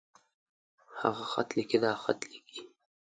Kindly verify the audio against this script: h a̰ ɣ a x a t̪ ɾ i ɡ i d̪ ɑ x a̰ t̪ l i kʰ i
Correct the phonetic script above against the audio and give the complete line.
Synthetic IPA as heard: h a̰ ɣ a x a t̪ l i k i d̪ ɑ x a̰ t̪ l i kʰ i